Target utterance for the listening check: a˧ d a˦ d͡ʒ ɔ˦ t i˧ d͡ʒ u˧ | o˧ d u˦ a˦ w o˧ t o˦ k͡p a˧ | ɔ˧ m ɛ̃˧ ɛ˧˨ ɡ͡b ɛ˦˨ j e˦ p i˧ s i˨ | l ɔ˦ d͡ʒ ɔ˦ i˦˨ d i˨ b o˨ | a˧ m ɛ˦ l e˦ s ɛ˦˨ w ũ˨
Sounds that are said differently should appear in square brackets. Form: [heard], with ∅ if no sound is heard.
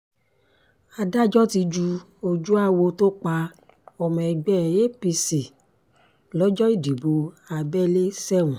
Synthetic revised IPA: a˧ d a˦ d͡ʒ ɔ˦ t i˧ d͡ʒ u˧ | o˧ [d͡ʒ] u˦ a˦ w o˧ t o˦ k͡p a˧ | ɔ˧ m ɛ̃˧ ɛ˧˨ ɡ͡b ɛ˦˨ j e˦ p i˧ s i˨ | l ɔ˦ d͡ʒ ɔ˦ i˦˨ d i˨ b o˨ | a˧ [b] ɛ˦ l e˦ s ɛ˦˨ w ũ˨

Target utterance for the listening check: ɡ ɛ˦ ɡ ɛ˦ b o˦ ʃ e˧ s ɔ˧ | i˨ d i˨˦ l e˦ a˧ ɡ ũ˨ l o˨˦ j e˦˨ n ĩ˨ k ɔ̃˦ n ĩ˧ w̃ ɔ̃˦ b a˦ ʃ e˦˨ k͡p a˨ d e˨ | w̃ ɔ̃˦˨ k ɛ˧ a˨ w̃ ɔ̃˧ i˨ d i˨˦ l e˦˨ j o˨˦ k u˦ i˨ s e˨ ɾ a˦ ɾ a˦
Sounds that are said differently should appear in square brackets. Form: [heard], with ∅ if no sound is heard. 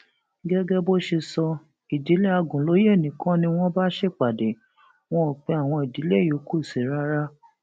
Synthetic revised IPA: ɡ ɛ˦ ɡ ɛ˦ b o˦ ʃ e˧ s ɔ˧ | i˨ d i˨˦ l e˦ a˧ ɡ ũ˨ l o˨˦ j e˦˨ n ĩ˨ k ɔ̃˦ n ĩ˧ w̃ ɔ̃˦ b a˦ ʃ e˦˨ k͡p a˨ d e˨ | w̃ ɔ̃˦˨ [k͡p] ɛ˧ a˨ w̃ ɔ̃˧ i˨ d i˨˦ l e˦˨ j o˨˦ k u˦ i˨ s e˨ ɾ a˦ ɾ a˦

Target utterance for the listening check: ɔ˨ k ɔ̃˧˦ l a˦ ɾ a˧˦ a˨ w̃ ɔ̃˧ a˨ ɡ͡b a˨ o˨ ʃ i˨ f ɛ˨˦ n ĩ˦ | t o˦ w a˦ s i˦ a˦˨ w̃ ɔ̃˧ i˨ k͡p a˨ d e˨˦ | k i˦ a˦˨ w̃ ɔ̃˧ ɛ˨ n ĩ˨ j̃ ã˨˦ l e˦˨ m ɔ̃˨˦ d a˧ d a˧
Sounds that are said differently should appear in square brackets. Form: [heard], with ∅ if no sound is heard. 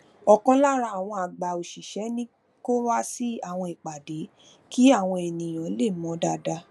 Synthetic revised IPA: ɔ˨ k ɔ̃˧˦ l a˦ ɾ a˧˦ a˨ w̃ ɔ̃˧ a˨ ɡ͡b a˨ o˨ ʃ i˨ [ʃ] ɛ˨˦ n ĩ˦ | [k] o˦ w a˦ s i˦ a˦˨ w̃ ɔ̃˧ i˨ k͡p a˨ d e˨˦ | k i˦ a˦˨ w̃ ɔ̃˧ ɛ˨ n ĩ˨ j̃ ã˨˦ l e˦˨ m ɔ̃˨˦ d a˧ d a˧

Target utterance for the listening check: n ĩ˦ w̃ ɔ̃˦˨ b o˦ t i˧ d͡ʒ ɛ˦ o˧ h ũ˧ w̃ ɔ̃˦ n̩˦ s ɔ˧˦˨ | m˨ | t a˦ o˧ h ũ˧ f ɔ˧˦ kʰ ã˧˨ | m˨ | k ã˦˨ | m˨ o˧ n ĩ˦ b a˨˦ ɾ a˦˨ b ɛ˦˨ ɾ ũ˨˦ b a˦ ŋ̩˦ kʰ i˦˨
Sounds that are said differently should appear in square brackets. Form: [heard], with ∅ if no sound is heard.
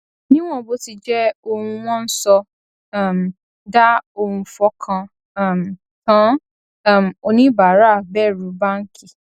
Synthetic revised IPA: n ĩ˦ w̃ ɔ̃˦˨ b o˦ t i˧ d͡ʒ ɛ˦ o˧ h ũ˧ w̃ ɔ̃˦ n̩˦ s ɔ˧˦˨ | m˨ | [d] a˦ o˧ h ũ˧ f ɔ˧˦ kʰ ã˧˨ | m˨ | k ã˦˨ | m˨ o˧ n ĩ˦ b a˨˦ ɾ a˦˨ b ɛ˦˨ ɾ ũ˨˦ b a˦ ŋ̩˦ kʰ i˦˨

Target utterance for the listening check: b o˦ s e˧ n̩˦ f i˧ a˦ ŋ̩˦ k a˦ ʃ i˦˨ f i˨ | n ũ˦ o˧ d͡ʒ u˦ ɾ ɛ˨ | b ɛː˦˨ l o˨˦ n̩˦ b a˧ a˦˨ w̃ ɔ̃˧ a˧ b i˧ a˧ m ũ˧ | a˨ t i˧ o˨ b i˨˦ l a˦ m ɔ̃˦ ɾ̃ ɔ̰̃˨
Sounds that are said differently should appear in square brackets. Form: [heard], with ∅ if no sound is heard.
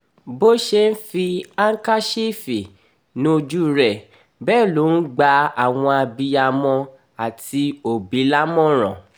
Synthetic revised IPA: b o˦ [ʃ] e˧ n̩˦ f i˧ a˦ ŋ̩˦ k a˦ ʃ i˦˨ f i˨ | n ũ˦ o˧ d͡ʒ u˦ ɾ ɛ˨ | b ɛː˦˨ l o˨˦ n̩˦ [ɡ͡b] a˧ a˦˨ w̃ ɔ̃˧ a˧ b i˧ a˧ m [ɔ̃˧] | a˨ t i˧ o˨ b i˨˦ l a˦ m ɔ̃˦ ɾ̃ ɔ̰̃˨

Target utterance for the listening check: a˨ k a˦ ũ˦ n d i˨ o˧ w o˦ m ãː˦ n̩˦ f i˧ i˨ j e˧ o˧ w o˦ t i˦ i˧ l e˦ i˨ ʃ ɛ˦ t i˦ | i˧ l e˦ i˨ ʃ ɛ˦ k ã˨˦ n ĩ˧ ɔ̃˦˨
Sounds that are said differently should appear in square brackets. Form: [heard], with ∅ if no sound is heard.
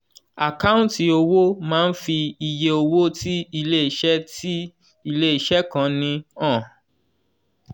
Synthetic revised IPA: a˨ k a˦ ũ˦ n [t] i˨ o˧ w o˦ m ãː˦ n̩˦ f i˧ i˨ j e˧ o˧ w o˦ t i˦ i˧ l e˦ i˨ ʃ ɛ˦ t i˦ | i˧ l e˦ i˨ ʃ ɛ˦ k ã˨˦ n ĩ˧ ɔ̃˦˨

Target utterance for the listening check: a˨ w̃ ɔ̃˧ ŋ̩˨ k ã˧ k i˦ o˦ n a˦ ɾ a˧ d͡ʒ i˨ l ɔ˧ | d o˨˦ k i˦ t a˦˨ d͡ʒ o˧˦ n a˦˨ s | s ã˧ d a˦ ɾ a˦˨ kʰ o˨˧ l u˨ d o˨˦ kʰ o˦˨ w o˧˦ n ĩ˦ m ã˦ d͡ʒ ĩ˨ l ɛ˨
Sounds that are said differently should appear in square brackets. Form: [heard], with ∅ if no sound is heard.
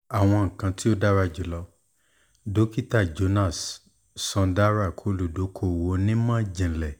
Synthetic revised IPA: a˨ w̃ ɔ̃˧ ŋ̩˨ k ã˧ [t] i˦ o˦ [d] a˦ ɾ a˧ d͡ʒ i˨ l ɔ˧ | d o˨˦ k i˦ t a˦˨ d͡ʒ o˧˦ n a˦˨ s | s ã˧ d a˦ ɾ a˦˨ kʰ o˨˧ l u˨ d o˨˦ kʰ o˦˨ w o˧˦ n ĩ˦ m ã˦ d͡ʒ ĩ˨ l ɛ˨

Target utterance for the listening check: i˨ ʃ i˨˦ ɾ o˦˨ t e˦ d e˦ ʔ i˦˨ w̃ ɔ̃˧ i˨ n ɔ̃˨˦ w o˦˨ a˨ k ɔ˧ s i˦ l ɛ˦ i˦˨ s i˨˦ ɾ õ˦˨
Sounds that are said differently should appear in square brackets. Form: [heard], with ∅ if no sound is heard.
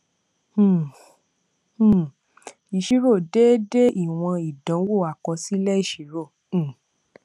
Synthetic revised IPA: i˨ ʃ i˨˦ ɾ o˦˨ [d] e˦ d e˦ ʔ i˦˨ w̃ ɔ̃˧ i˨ [d] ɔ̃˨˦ w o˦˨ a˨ k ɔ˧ s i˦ l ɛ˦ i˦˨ [ʃ] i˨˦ ɾ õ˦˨

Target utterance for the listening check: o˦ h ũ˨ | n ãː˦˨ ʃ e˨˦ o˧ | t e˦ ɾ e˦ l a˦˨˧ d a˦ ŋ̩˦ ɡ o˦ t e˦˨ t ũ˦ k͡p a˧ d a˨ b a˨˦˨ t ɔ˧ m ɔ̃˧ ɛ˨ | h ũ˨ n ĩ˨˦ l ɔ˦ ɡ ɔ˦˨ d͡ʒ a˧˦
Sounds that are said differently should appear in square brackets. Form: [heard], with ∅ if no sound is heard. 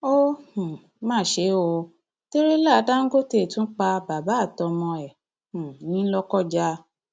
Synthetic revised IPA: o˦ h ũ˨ | [m] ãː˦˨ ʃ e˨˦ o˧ | t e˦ ɾ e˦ l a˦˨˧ d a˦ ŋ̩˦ ɡ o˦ t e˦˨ t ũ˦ k͡p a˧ [b] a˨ b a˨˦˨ t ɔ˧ m ɔ̃˧ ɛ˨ | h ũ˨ n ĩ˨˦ l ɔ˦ [k] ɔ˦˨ d͡ʒ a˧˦

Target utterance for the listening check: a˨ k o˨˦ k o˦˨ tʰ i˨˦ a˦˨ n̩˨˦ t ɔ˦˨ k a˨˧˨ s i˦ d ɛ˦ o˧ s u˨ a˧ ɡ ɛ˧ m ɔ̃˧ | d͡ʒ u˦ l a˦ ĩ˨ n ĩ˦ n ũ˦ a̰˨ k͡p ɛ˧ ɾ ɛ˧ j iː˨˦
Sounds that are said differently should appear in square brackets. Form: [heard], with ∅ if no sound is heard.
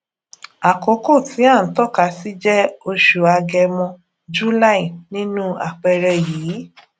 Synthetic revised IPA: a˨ k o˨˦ k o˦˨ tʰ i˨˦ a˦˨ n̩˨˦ t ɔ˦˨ k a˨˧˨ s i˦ [d͡ʒ] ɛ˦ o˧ [ʃ] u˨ a˧ ɡ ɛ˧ m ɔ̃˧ | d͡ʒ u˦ l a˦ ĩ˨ n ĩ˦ n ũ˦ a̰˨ k͡p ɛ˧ ɾ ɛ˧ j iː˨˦

